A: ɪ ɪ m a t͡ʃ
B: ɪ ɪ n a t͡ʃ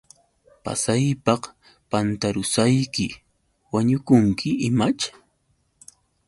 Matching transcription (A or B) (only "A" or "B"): A